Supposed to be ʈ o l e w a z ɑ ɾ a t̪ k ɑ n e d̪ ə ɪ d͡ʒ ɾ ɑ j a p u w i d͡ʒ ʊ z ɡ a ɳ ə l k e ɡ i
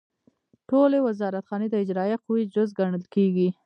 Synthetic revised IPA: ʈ o l e w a z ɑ ɾ a t̪ x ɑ n e d̪ ə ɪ d͡ʒ ɾ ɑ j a q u w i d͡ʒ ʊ z ɡ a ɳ ə l k e ɡ i